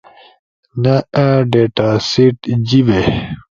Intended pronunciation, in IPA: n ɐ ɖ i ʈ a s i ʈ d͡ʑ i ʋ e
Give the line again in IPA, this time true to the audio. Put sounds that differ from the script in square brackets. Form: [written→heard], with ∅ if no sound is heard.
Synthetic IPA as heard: n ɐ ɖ [i→e] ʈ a s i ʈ d͡ʑ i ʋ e